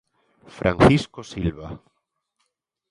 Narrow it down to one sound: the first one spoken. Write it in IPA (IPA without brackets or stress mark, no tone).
f